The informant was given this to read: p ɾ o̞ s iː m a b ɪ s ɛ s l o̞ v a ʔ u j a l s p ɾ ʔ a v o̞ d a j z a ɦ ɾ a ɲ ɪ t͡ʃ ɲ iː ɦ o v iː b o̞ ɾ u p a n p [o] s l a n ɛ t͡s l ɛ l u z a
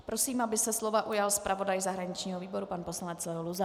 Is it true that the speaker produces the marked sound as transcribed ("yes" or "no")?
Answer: yes